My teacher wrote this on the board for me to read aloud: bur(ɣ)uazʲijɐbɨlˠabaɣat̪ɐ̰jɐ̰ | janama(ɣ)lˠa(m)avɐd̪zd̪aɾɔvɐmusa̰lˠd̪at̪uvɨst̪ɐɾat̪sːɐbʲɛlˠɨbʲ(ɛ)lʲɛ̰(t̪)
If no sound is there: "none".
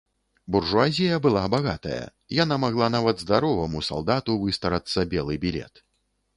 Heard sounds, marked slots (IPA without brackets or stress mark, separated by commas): ʐ, ɣ, n, i, t̪